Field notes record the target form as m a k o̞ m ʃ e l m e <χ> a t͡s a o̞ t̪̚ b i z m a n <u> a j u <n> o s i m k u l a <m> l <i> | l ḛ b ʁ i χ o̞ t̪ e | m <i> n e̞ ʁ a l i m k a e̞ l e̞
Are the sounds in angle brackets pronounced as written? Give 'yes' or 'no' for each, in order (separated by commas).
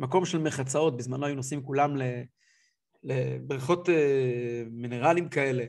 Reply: yes, no, yes, yes, no, yes